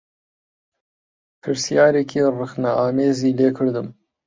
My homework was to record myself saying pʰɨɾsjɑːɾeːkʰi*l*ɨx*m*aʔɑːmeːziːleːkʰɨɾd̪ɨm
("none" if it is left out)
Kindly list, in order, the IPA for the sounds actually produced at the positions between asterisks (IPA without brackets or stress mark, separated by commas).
r, n